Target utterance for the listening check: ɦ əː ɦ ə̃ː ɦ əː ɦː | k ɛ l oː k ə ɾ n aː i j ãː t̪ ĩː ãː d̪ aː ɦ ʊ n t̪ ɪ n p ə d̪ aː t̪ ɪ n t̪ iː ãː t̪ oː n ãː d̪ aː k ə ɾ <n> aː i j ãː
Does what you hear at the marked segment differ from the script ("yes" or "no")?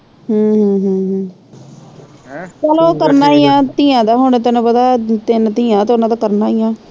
no